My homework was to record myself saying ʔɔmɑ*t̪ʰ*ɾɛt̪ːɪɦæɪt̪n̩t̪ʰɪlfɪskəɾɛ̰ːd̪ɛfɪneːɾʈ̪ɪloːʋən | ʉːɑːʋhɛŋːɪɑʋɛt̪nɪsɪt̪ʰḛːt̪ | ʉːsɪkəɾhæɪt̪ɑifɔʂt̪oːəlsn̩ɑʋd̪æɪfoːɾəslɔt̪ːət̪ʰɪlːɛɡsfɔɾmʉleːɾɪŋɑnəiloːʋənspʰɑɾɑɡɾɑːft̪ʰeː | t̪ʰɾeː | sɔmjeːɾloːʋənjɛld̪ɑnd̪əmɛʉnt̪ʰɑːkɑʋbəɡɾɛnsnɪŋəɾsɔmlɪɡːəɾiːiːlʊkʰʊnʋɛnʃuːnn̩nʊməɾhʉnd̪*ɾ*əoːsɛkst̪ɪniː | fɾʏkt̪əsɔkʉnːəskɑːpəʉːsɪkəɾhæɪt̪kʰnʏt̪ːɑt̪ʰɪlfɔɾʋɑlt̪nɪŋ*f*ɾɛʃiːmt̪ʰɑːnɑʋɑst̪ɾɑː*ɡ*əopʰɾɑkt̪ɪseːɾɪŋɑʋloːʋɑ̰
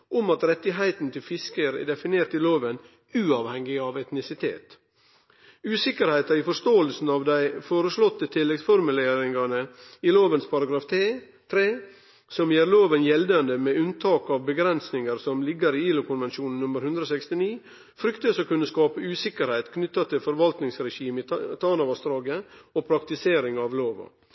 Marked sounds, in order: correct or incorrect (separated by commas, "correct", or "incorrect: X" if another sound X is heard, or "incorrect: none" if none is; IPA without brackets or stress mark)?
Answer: incorrect: t̪, correct, incorrect: s, correct